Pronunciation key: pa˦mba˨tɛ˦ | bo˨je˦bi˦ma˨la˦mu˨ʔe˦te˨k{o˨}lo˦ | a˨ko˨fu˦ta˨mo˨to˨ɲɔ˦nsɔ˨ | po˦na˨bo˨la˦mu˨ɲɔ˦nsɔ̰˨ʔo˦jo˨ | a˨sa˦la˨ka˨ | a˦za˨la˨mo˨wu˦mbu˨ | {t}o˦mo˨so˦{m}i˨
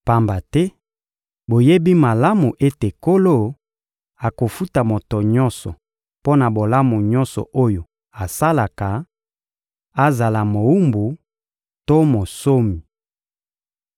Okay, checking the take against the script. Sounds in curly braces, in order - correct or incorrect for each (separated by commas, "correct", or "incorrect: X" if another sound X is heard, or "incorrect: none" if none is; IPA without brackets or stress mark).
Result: incorrect: o˦, correct, correct